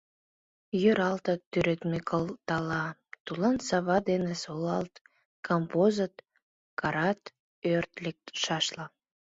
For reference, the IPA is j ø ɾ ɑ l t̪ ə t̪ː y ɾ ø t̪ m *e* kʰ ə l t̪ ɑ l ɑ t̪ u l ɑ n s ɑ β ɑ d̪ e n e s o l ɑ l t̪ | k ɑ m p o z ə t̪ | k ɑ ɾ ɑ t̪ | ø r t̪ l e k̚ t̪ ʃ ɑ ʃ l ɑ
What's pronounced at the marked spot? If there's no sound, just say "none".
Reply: e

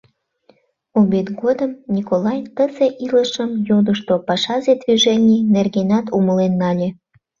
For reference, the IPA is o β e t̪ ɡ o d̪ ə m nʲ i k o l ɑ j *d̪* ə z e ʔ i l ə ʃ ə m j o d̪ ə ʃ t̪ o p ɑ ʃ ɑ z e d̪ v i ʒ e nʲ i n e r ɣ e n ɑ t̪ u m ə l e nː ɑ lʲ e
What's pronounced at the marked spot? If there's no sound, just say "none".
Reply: t̪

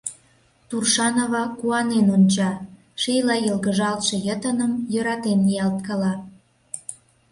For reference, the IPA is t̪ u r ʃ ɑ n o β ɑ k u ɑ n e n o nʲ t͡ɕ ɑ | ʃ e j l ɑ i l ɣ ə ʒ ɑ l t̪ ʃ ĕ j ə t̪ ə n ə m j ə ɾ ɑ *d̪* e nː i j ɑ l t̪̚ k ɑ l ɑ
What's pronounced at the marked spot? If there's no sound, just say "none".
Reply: t̪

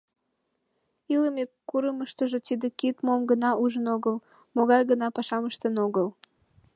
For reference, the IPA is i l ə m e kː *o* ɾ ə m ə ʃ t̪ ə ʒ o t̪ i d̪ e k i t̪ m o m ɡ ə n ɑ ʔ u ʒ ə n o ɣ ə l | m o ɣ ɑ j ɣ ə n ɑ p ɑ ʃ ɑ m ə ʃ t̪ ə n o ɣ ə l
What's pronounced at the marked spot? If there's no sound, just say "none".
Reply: u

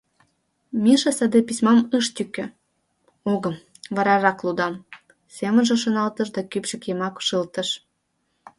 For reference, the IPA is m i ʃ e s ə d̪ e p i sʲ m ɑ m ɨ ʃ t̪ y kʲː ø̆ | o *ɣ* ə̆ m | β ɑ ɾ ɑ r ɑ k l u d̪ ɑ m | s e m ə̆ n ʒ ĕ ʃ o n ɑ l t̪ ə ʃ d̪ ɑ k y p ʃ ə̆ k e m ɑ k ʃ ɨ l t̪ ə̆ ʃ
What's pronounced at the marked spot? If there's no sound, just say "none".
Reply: ɣ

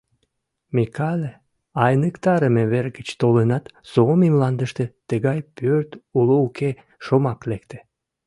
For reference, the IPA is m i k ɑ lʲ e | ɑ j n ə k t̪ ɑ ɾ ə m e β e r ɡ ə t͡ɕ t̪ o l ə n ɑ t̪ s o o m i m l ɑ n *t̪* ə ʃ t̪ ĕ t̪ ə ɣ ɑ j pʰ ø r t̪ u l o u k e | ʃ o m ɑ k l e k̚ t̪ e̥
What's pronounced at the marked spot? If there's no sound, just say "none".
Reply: d̪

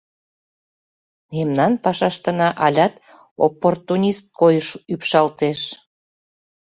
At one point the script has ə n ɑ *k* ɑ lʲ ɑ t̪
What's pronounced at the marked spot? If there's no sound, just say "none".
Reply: ʔ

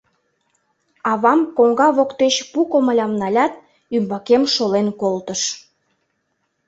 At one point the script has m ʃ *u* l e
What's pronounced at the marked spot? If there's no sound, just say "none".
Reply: o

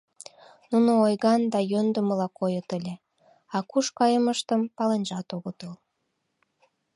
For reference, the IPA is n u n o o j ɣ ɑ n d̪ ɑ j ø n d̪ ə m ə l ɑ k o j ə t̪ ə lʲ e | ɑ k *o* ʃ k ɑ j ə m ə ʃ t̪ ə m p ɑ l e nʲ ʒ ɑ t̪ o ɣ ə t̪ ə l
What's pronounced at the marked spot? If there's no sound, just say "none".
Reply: u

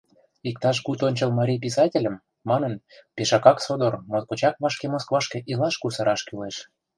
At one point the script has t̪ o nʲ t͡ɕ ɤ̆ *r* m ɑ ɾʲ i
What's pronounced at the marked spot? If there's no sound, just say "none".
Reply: l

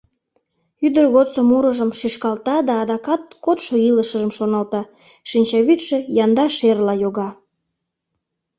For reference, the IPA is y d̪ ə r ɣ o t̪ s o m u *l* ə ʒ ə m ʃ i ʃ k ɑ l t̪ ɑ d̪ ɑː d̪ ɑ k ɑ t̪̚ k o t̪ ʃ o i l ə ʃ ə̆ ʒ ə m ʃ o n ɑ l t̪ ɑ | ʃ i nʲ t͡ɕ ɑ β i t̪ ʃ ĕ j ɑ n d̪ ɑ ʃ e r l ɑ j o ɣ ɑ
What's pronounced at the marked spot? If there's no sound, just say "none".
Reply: ɾ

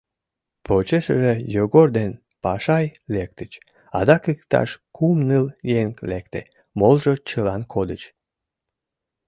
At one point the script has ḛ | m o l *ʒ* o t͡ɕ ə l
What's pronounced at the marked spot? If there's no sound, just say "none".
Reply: ʒ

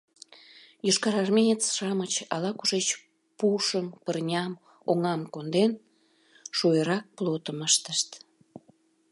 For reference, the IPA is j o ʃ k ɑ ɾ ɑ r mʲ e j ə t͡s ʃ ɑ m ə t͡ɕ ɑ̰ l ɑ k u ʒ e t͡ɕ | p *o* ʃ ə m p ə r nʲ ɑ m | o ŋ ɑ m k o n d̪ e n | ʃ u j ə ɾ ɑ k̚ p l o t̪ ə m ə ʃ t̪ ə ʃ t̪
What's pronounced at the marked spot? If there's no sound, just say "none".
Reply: u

